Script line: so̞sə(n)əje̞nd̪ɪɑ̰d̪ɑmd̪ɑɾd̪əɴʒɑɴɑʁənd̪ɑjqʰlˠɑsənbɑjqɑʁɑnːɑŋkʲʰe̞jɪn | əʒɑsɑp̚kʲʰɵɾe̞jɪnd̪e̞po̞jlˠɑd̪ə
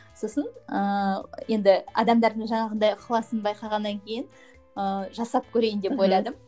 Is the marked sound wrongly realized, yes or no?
no